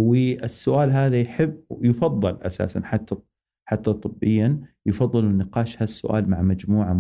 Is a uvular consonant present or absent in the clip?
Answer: present